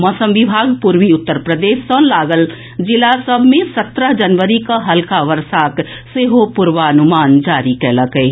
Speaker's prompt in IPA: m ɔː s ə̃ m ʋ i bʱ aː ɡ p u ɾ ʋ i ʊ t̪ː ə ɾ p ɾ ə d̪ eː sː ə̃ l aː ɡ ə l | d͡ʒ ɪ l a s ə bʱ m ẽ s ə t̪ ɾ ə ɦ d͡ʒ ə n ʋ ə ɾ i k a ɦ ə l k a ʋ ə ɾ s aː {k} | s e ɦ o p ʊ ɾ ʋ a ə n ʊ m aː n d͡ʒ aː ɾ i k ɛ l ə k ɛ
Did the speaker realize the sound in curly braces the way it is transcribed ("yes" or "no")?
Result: yes